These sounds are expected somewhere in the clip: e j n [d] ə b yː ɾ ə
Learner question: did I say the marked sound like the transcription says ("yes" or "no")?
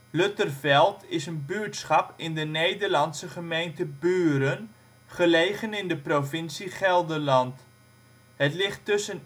no